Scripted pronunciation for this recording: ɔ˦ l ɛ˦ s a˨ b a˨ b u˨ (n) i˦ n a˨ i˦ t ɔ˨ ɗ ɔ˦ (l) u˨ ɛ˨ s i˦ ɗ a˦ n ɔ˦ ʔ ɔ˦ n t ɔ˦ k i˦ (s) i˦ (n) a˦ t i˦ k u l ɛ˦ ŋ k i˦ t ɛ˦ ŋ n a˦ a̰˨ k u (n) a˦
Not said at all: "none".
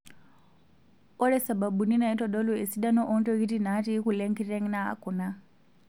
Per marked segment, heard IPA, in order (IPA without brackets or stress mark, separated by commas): n, l, t, n, n